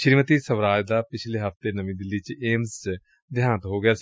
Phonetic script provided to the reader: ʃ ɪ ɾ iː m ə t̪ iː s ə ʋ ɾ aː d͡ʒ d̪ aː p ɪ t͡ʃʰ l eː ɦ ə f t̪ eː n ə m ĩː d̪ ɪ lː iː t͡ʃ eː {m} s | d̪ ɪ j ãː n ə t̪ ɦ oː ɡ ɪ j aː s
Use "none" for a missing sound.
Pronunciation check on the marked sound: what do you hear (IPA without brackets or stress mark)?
m